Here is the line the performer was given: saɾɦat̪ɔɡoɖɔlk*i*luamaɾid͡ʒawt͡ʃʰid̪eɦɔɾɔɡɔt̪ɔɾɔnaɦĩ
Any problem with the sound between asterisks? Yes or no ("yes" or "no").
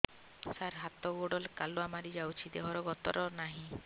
yes